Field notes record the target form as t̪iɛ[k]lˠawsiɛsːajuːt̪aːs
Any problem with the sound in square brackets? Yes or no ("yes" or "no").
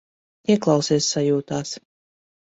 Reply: no